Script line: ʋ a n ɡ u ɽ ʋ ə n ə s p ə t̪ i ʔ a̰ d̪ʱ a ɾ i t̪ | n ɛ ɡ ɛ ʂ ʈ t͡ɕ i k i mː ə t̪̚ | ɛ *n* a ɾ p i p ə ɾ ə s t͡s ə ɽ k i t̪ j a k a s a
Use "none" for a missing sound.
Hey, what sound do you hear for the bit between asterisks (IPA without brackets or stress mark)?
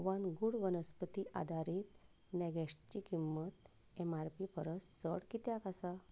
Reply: m